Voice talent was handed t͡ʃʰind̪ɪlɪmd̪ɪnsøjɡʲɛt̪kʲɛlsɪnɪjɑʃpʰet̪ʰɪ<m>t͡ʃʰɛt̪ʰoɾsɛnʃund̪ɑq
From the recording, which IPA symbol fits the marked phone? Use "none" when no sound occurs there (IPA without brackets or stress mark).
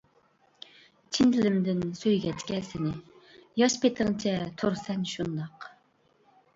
ŋ